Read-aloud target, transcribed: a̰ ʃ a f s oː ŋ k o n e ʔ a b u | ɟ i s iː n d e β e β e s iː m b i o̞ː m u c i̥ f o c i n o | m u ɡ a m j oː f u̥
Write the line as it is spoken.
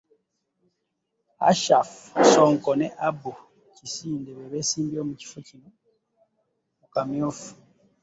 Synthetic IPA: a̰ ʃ a f s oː ŋ k o n e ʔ a b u | c i s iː n d e β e β e s iː m b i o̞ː m u c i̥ f o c i n o | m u k a m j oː f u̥